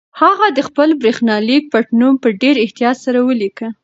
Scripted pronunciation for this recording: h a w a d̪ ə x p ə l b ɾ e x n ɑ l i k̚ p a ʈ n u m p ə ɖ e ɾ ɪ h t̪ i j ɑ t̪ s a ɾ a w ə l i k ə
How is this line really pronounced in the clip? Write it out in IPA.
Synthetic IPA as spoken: h a ɣ a d̪ ə x p ə l b ɾ e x n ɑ l i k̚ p a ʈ n u m p ə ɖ e ɾ ɪ h t̪ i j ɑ t̪ s a ɾ a w ə l i k ə